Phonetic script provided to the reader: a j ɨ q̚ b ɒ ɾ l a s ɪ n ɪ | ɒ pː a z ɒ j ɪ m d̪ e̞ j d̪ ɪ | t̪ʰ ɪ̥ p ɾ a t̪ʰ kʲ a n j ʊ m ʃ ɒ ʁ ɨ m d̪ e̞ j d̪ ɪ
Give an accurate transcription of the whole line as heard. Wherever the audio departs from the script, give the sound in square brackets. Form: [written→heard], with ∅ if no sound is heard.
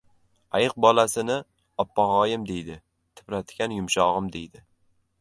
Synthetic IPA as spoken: a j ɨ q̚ b ɒ [ɾ→∅] l a s ɪ n ɪ | ɒ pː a [z→ʁ] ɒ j ɪ m d̪ e̞ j d̪ ɪ | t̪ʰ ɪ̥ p ɾ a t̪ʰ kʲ a n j ʊ m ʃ ɒ ʁ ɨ m d̪ e̞ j d̪ ɪ

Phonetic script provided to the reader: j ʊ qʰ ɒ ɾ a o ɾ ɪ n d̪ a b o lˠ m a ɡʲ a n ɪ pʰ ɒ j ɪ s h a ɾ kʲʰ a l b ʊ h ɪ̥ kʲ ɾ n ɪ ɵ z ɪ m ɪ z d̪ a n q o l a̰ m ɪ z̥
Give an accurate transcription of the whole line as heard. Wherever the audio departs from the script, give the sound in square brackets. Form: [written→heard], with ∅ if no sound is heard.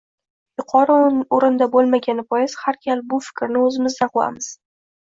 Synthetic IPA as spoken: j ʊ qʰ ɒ ɾ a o ɾ ɪ n d̪ a b o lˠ m a ɡʲ a n ɪ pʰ ɒ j ɪ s h a ɾ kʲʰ a l b ʊ [h→f] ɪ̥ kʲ ɾ n ɪ ɵ z ɪ m ɪ z d̪ a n q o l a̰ m ɪ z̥

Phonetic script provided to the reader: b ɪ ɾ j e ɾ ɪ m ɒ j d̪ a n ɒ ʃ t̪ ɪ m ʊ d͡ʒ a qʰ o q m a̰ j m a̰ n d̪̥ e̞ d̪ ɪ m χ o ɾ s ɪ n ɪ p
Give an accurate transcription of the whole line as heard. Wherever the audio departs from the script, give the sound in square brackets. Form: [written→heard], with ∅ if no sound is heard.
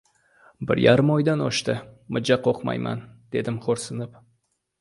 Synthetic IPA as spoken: b ɪ ɾ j [e→a] ɾ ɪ m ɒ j d̪ a n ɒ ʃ t̪ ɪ m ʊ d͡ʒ a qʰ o q m a̰ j m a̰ n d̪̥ e̞ d̪ ɪ m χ o ɾ s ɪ n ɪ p

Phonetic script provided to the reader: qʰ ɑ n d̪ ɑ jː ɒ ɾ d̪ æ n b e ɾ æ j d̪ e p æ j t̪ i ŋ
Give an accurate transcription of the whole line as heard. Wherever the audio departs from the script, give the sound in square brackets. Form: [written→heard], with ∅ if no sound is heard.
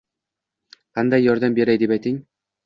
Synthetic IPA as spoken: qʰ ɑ n d̪ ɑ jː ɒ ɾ d̪ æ [n→m] b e ɾ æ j d̪ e p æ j t̪ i ŋ

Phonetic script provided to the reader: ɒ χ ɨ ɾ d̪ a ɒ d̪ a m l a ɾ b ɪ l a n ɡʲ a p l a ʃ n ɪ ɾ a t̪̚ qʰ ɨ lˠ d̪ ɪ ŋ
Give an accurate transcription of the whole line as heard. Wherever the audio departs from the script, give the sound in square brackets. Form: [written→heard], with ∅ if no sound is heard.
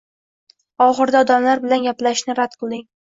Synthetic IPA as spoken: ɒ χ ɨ ɾ d̪ a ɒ d̪ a m l a ɾ b ɪ l a n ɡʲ a p l a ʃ n ɪ ɾ a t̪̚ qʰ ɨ lˠ d̪ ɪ ŋ

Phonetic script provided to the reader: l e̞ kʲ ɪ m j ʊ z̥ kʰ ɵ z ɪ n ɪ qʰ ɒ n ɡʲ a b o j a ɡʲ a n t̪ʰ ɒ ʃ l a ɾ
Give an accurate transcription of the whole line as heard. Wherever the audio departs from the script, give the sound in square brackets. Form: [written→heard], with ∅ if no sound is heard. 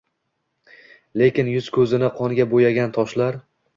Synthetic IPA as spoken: l e̞ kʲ ɪ [m→n] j ʊ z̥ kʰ ɵ z ɪ n ɪ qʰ ɒ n ɡʲ a b o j a ɡʲ a n t̪ʰ ɒ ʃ l a ɾ

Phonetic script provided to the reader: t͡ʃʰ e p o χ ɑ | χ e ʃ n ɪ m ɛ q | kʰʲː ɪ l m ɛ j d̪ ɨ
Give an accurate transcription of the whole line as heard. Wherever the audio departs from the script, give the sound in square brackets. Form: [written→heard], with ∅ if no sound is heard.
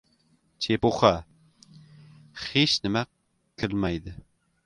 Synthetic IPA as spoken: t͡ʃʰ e p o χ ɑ | χ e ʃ n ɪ m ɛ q | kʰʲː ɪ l m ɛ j d̪ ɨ

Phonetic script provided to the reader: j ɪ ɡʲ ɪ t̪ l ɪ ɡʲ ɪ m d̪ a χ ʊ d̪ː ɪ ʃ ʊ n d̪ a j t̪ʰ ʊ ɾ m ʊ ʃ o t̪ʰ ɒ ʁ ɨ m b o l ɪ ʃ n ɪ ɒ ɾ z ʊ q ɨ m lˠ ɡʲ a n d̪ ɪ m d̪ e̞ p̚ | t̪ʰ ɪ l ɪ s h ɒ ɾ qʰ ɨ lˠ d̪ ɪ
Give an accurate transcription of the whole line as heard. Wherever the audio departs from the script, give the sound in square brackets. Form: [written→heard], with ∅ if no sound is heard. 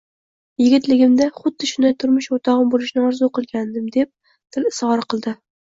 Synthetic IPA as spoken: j ɪ ɡʲ ɪ t̪ l ɪ ɡʲ ɪ m d̪ a χ ʊ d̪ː ɪ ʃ ʊ n d̪ a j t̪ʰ ʊ ɾ m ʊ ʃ o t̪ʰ ɒ ʁ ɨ m b o l ɪ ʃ n ɪ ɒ ɾ z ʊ q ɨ [m→∅] lˠ ɡʲ a n d̪ ɪ m d̪ e̞ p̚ | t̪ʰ ɪ l ɪ s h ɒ ɾ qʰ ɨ lˠ d̪ ɪ

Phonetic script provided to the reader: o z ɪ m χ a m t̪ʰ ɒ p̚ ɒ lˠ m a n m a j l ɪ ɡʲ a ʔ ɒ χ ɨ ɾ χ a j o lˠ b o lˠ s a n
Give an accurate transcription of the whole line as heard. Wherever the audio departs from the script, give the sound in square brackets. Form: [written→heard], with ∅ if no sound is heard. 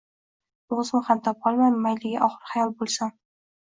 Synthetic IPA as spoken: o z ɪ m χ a m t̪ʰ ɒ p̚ ɒ lˠ m a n m a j l ɪ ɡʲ a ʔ ɒ χ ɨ ɾ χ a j [o→ɒ] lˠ b o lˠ s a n

